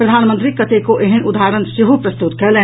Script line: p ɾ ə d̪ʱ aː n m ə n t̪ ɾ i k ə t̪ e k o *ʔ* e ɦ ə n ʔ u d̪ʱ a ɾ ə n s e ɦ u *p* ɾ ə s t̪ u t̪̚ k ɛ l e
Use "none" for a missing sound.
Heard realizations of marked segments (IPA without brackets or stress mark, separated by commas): ʔ, p